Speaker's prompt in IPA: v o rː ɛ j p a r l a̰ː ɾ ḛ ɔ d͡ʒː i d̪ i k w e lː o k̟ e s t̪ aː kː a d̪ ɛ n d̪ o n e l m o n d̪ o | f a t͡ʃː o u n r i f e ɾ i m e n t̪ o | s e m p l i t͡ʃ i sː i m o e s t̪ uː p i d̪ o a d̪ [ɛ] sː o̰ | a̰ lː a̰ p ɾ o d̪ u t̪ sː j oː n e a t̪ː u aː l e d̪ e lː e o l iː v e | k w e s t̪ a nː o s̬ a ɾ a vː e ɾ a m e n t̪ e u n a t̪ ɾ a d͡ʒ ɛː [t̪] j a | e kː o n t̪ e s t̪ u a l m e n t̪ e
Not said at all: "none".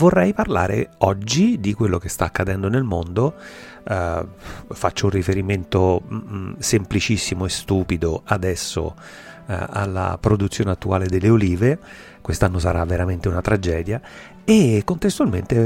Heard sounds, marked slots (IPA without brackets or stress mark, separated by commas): ɛ, d̪